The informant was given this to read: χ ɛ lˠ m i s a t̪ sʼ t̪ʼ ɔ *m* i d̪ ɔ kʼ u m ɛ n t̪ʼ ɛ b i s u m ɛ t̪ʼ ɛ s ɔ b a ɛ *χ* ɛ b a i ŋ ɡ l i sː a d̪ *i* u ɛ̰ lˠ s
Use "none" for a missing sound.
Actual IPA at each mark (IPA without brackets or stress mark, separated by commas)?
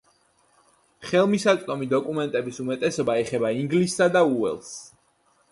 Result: m, χ, a